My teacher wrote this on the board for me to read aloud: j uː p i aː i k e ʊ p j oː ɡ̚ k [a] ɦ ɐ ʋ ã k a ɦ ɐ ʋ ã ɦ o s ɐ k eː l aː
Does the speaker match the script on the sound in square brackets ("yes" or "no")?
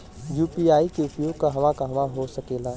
yes